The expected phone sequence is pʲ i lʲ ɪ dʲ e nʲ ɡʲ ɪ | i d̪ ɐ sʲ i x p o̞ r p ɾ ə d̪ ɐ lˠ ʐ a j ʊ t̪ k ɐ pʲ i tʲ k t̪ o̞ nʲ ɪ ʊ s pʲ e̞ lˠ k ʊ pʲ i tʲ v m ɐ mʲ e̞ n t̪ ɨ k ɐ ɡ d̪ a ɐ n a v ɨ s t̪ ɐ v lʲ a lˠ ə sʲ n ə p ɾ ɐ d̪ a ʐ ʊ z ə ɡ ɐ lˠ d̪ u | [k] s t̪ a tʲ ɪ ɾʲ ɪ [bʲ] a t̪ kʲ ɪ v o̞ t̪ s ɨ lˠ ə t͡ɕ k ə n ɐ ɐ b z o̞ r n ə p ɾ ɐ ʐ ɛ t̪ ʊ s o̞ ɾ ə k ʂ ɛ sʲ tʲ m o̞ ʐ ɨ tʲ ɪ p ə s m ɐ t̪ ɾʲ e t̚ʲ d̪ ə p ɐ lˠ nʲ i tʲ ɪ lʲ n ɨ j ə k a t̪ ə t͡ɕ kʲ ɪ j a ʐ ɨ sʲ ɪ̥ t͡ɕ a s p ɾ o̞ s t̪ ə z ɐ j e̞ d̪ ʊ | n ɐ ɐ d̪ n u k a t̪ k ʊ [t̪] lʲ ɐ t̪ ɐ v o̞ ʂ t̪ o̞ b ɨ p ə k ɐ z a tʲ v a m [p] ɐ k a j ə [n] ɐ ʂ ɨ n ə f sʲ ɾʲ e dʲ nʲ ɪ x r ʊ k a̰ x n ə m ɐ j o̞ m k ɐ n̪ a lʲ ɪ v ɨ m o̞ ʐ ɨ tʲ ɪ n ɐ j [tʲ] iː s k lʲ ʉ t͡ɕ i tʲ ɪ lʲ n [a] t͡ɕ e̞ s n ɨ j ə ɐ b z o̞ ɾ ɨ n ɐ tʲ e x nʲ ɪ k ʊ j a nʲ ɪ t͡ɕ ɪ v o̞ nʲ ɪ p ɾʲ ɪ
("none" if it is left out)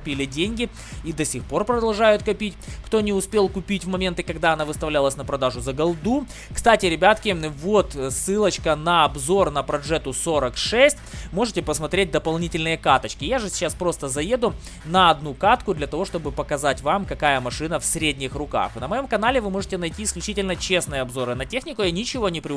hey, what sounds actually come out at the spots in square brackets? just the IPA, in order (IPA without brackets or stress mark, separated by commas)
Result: k, bʲ, d̪, k, m, tʲ, ə